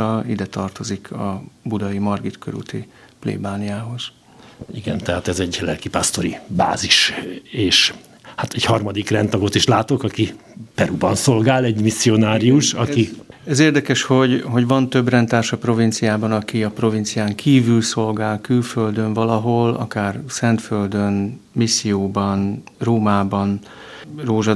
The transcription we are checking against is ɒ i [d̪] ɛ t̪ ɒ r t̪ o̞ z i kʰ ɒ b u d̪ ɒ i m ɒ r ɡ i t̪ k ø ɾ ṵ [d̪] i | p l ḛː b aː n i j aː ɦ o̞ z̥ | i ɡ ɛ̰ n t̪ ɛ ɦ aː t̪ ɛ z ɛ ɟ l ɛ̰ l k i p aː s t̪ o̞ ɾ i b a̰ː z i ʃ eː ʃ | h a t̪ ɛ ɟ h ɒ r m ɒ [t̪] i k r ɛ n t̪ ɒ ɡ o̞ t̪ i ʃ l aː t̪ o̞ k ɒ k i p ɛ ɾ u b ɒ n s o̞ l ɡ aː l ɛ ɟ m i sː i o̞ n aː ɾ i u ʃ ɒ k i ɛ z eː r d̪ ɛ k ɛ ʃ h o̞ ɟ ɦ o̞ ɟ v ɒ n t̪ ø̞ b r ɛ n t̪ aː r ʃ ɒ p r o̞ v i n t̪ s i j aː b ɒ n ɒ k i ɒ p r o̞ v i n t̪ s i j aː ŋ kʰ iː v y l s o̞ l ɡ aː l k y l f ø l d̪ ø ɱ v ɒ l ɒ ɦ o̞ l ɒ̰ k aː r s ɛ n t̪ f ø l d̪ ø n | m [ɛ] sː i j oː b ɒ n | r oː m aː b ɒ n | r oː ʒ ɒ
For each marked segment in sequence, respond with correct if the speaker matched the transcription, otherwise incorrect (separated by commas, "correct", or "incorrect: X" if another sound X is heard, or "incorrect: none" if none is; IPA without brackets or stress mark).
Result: correct, incorrect: t̪, incorrect: d̪, incorrect: i